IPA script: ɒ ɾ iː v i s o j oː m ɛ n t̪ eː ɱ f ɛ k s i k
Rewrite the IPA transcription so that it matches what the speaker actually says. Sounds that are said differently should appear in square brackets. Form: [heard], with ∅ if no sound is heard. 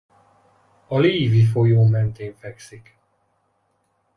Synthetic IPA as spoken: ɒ [l] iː v i [f] o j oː m ɛ n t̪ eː ɱ f ɛ k s i k